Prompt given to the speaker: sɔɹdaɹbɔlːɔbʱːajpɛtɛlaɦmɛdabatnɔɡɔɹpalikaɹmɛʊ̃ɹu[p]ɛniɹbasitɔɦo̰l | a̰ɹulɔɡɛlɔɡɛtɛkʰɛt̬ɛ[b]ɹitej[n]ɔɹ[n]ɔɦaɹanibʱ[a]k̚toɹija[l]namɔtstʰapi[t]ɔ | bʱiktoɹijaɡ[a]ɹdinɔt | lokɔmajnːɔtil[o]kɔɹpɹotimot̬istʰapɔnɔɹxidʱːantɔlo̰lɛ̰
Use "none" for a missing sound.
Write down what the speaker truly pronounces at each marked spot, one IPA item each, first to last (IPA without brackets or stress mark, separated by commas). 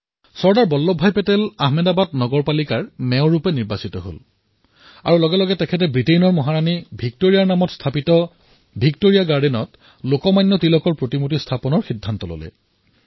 p, b, n, m, i, ɹ, t, a, ɔ